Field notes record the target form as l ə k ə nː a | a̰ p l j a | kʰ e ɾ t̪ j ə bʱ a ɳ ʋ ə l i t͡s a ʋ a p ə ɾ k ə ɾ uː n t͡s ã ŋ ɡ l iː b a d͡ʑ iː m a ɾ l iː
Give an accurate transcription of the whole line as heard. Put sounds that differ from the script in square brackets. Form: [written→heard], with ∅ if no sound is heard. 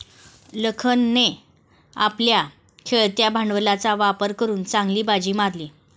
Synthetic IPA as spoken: l ə [k→kʰ] ə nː [a→e] | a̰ p l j a | kʰ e [ɾ→ɭ] t̪ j [ə→a] bʱ a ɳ ʋ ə l [i→a] t͡s a ʋ a p ə ɾ k ə ɾ uː n t͡s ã ŋ ɡ l iː b a d͡ʑ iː m a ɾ l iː